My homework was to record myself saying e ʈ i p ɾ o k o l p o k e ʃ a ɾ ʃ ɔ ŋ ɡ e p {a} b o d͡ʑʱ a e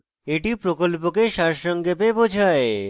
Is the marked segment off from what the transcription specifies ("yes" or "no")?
yes